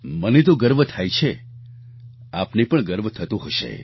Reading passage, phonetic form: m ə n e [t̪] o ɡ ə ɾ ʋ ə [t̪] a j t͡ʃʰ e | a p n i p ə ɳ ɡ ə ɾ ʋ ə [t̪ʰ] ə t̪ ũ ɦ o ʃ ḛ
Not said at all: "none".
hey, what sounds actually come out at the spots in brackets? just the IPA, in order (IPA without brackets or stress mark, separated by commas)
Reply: t̪, t̪ʰ, t̪ʰ